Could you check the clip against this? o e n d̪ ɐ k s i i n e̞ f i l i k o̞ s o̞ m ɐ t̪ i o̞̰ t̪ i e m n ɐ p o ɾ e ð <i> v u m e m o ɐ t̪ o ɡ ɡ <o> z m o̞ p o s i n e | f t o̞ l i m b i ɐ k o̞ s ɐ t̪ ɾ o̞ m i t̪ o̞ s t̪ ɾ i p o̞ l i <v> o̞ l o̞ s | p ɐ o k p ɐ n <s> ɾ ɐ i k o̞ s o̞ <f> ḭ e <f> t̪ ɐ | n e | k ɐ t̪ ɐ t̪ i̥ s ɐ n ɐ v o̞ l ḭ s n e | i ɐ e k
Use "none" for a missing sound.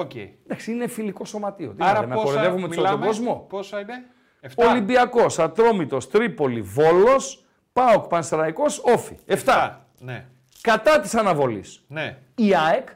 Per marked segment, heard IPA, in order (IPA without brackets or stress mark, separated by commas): e, o, v, s, f, f